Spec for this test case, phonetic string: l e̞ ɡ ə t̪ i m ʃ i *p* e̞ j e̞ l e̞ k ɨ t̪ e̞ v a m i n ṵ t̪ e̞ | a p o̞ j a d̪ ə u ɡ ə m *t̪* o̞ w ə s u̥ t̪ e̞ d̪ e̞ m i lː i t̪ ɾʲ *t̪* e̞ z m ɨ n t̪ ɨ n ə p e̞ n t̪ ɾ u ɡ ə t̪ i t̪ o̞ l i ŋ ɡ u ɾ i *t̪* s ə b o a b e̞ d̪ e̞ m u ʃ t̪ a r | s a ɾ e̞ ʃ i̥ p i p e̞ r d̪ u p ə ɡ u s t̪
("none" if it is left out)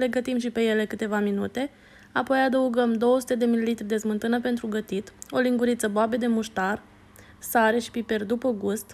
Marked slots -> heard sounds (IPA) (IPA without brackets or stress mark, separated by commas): p, d̪, d̪, t̪